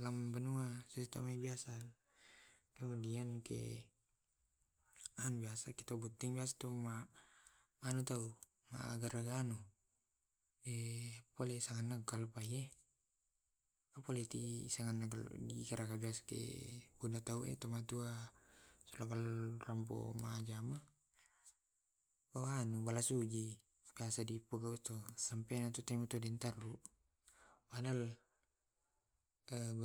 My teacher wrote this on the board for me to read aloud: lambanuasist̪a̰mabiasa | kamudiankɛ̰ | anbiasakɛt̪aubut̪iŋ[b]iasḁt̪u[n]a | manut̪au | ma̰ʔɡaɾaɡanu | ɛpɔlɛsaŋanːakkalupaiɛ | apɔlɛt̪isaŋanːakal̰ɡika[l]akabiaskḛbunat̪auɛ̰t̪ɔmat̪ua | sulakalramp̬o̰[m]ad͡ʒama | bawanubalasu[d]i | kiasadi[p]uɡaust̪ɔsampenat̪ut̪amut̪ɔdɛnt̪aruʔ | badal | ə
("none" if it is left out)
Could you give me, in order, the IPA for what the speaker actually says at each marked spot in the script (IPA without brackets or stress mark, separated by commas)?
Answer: b, m, ɾ, m, d͡ʒ, p